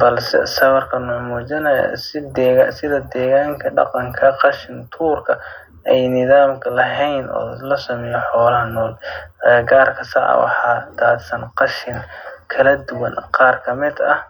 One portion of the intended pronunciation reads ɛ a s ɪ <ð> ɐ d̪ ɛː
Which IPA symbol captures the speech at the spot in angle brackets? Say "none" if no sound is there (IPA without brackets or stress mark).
ð